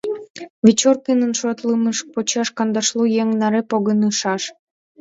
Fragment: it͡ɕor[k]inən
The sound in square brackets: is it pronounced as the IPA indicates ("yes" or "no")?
yes